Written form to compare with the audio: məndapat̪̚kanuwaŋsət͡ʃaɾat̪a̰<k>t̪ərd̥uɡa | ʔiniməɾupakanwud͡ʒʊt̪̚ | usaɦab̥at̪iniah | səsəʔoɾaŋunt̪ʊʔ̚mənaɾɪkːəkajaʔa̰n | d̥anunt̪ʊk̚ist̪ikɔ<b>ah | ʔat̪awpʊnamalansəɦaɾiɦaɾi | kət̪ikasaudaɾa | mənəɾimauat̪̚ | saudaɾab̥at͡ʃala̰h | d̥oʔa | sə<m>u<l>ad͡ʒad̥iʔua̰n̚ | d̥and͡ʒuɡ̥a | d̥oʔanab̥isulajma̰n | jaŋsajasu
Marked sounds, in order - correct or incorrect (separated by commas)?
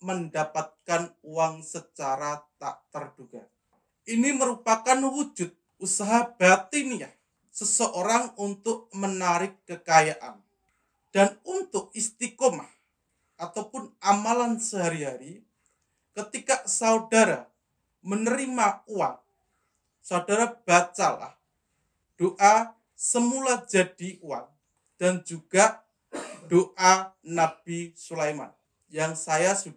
incorrect, incorrect, correct, correct